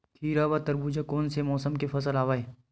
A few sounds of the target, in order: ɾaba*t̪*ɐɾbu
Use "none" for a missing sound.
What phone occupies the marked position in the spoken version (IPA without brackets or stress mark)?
t̪